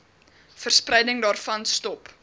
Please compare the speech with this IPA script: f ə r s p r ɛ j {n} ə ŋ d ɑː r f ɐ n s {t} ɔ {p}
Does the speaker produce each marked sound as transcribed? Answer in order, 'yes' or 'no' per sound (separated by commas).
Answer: no, yes, yes